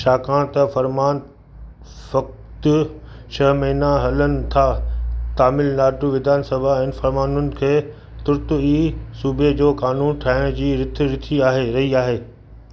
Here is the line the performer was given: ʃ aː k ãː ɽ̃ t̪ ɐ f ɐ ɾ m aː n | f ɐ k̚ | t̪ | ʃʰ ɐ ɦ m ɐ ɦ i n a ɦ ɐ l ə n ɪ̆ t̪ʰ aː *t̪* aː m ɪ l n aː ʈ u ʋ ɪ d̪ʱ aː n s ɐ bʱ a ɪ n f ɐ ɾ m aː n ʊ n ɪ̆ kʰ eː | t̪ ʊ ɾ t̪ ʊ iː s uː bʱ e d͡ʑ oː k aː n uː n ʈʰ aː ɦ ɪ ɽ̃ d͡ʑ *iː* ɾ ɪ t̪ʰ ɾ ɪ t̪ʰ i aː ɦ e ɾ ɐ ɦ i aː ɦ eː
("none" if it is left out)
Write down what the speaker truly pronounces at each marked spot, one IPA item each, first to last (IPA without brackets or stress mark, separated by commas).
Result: t̪, iː